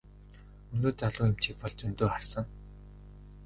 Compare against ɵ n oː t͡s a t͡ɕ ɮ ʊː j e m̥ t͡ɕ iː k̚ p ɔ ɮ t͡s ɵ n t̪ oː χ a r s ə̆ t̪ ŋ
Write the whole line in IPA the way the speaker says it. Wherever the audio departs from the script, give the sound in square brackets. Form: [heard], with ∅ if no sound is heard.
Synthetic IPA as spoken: ɵ n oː t͡s a [∅] ɮ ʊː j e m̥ t͡ɕ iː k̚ p ɔ ɮ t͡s ɵ n t̪ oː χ a r s ə̆ [∅] ŋ